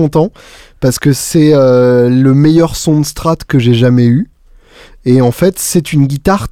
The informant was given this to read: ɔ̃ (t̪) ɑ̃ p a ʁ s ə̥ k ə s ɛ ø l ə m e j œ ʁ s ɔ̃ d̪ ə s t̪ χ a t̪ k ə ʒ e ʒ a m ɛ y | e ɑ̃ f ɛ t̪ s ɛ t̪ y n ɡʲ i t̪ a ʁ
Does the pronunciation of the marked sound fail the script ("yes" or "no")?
no